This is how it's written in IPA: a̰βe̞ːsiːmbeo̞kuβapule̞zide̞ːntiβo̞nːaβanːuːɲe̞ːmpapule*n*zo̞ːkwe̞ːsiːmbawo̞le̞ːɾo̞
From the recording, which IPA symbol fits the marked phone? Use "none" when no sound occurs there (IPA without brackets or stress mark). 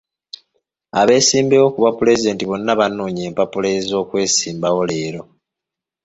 none